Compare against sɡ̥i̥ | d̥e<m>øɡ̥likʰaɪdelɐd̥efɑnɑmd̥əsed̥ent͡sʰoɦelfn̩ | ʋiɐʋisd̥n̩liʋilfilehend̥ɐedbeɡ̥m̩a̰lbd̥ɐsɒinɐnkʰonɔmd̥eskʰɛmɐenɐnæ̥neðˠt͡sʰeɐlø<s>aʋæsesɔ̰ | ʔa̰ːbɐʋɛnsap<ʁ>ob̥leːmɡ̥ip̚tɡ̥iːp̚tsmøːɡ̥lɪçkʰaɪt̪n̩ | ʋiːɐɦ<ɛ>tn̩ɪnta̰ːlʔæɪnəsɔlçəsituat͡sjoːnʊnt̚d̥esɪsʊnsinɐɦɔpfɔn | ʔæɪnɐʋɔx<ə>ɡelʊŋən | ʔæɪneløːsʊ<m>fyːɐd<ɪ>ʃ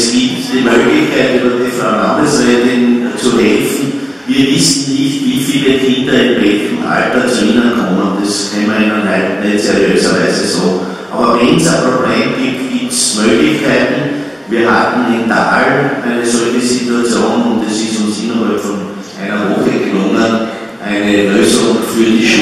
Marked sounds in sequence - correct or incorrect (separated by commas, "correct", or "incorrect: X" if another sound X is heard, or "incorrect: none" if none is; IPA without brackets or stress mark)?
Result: correct, correct, correct, incorrect: a, correct, incorrect: ŋ, incorrect: i